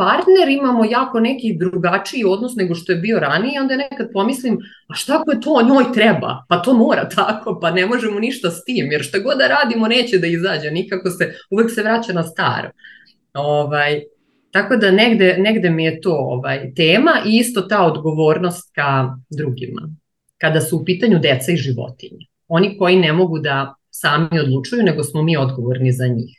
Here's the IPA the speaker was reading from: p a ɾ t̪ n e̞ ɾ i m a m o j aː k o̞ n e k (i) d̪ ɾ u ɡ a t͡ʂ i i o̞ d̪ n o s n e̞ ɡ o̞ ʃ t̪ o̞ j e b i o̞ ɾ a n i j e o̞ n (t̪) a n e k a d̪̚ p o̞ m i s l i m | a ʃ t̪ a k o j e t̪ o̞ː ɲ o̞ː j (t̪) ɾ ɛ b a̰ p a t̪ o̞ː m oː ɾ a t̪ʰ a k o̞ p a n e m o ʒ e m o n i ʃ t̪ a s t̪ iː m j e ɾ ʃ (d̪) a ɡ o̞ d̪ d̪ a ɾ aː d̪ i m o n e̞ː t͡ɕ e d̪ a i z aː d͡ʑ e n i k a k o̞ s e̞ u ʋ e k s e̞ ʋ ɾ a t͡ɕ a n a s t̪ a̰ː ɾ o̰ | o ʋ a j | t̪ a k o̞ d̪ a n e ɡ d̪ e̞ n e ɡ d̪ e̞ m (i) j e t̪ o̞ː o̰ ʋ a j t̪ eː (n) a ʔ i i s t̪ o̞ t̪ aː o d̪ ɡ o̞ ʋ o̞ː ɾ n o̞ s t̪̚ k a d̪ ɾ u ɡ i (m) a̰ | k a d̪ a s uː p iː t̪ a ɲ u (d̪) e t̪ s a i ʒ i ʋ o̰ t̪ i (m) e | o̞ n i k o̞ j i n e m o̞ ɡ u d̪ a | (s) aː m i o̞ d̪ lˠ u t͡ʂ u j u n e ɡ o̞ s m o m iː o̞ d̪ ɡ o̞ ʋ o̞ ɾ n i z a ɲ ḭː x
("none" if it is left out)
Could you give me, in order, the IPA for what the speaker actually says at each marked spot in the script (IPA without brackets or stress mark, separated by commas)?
i, d̪, t̪, t̪, i, m, m, d̪, ɲ, s